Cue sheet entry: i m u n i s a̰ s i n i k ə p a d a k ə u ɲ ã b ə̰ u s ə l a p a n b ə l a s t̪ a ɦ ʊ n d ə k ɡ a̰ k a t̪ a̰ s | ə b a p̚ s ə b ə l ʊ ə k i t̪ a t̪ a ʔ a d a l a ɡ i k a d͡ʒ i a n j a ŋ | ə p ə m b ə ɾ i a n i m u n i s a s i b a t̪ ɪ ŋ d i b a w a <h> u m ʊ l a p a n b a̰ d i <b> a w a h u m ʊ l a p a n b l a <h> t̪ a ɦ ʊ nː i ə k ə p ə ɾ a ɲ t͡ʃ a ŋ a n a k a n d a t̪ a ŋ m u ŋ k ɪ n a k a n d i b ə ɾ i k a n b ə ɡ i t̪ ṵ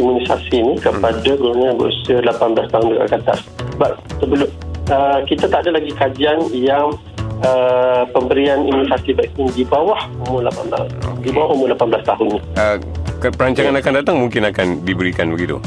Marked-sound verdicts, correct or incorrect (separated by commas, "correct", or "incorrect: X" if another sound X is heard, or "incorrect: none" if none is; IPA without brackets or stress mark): correct, correct, incorrect: s